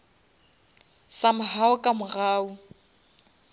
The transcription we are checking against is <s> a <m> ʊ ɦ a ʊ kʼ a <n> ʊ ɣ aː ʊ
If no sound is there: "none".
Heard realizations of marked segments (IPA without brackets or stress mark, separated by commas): s, m, m